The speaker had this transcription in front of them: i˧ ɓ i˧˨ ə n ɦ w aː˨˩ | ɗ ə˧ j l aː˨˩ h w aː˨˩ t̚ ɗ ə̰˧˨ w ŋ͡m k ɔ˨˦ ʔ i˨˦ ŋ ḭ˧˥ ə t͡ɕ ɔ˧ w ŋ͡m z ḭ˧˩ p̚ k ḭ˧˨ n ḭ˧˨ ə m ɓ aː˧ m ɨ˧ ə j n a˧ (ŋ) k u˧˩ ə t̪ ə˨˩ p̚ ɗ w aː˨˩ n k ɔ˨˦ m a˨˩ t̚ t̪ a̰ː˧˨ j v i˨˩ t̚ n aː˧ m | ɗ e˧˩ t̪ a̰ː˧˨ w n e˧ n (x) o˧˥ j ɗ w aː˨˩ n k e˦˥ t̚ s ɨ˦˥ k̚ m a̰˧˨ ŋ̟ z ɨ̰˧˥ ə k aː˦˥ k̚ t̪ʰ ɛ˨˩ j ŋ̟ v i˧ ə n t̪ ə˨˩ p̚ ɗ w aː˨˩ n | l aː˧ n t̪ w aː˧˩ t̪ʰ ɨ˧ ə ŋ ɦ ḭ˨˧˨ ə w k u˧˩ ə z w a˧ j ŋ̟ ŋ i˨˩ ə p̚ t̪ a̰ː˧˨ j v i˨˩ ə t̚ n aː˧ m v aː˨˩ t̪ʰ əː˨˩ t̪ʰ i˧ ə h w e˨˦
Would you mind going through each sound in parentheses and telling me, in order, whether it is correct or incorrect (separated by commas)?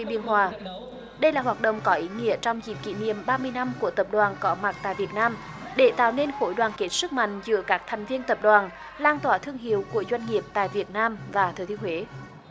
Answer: incorrect, correct